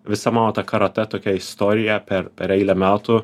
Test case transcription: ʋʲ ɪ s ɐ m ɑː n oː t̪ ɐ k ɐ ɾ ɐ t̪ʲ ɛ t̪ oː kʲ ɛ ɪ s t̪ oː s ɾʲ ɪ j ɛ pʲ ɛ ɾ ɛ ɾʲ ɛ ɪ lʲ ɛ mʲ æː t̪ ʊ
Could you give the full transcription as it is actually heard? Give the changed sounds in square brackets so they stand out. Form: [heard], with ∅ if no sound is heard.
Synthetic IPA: ʋʲ ɪ s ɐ m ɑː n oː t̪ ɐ k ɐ ɾ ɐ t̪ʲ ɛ t̪ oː kʲ ɛ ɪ s t̪ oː [∅] ɾʲ ɪ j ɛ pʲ ɛ ɾ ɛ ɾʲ ɛ ɪ lʲ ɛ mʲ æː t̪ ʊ